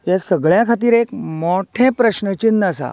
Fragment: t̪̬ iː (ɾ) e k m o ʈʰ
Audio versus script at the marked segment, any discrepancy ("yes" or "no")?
no